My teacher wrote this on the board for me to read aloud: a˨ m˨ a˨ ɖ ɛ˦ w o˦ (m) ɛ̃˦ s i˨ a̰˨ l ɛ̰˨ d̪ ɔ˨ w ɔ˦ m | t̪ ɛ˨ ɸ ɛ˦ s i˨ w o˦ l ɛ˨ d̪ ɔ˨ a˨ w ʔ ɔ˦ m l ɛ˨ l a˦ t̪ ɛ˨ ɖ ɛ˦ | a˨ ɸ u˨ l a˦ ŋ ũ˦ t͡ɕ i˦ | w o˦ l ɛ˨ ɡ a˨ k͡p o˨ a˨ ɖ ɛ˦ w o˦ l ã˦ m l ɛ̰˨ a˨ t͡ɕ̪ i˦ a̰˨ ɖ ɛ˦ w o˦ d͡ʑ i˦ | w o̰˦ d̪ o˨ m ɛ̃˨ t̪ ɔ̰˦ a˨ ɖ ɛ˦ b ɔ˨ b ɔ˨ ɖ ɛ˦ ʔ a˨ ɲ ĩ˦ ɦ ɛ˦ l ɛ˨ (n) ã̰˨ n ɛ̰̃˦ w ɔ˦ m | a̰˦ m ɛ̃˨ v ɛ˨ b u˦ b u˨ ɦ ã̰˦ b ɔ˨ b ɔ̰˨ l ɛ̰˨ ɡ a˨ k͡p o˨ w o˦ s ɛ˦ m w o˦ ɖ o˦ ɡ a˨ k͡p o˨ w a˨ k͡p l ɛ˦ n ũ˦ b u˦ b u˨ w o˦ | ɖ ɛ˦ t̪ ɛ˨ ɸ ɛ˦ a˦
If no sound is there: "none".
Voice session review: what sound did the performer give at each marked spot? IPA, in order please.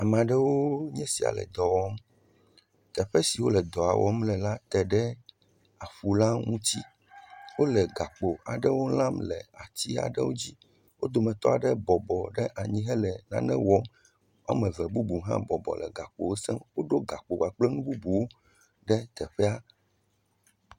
ɲ, n

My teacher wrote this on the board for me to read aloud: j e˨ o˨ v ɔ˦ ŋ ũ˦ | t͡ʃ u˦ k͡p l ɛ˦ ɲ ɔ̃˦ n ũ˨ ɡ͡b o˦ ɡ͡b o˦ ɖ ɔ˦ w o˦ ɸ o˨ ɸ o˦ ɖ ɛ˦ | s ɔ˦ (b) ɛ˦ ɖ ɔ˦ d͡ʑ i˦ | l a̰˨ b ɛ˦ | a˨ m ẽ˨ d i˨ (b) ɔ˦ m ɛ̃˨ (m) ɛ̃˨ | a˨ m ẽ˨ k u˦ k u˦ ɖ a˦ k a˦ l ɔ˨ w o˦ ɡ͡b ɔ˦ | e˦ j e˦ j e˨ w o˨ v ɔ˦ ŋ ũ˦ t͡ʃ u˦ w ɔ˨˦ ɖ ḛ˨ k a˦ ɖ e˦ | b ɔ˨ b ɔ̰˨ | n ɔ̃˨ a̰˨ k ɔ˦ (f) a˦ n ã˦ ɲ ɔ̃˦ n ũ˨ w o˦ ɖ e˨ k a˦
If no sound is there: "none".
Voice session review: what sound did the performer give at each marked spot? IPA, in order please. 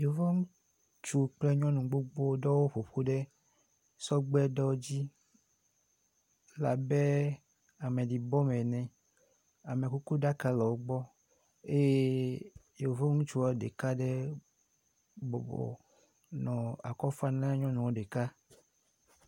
ɡ͡b, b, n, f

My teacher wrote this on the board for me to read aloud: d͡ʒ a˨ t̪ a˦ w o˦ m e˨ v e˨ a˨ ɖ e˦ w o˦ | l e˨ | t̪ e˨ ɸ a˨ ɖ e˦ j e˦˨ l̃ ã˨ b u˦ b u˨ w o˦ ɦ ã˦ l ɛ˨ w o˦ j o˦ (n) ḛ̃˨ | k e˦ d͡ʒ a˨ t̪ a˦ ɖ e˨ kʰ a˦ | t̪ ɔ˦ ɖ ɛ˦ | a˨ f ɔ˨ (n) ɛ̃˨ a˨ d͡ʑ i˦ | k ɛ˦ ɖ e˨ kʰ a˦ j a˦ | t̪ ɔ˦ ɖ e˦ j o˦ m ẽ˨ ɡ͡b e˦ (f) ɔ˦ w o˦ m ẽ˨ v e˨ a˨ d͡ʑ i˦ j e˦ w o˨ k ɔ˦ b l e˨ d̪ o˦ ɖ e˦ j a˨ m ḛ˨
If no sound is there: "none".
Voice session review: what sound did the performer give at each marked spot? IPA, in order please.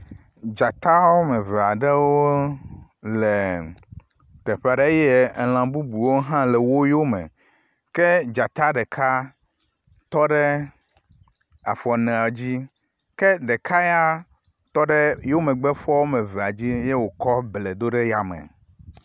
m, n, f

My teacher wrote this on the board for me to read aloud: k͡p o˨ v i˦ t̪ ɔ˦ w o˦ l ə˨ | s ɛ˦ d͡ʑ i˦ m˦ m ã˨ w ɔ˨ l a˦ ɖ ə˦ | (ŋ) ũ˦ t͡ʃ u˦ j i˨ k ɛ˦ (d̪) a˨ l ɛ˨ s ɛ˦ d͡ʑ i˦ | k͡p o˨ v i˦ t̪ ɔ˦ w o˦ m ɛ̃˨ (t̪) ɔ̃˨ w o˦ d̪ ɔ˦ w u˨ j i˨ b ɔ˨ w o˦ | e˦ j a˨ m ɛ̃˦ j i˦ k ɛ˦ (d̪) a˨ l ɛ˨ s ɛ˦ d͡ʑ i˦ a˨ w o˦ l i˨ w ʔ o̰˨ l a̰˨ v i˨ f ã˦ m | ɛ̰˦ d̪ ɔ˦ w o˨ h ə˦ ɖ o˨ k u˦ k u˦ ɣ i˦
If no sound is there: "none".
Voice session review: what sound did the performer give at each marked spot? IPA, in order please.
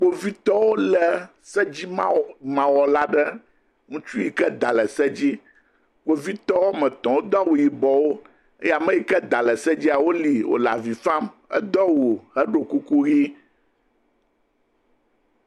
ŋ, d̪, t̪, d̪

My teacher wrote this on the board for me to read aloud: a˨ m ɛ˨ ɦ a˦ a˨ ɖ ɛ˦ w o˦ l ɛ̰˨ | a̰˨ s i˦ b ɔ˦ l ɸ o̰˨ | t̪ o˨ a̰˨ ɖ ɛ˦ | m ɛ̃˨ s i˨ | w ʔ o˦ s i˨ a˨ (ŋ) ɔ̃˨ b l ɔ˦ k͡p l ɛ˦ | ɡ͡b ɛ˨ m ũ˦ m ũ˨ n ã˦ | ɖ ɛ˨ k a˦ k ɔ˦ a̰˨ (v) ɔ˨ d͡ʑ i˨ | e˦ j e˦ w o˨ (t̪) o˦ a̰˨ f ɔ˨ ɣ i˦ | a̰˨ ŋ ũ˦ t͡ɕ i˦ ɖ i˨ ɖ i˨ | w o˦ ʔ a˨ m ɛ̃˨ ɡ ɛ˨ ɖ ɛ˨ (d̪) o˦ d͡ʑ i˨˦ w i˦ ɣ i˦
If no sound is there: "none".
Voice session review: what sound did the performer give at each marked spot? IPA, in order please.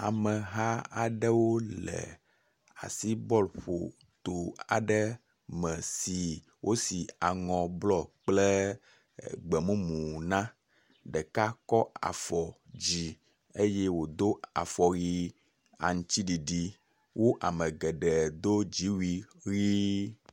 ŋ, f, d̪, d̪

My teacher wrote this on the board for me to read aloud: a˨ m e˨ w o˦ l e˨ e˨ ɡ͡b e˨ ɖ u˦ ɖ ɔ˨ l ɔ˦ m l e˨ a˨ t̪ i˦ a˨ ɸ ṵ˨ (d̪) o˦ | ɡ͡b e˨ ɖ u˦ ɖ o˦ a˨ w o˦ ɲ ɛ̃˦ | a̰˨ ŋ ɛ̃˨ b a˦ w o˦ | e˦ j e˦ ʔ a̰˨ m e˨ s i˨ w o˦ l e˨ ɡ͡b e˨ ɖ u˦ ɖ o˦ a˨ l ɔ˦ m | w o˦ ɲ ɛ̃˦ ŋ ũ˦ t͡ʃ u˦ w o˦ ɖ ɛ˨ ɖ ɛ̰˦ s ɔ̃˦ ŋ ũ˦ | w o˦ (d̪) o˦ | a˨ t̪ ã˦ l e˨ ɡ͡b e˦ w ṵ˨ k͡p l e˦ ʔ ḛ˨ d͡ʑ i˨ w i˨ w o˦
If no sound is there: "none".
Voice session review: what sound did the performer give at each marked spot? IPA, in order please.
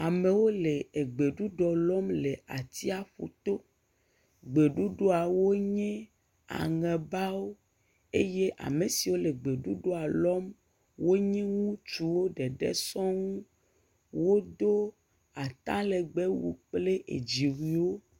t̪, d̪

